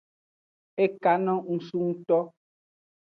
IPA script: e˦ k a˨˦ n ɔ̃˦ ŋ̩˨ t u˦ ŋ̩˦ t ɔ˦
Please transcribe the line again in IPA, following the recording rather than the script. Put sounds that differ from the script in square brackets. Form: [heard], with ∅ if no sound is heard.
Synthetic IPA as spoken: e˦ k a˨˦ n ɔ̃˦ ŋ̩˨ [s] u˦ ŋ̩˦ t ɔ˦